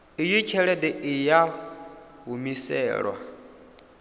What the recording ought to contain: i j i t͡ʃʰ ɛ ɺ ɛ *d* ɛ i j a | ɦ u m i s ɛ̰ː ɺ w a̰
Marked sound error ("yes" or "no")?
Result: no